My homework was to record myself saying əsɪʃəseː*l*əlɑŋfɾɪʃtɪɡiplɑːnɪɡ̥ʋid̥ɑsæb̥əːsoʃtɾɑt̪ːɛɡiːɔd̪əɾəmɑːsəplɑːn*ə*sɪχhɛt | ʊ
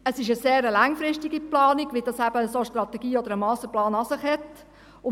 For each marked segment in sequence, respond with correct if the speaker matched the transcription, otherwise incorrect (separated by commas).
incorrect, incorrect